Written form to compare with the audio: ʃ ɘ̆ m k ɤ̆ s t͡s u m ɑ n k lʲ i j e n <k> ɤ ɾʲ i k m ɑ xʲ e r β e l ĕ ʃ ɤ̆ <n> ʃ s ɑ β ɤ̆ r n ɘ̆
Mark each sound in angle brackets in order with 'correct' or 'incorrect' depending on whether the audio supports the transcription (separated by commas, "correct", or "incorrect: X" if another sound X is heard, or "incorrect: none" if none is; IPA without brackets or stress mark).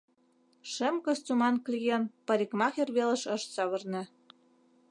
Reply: incorrect: p, incorrect: none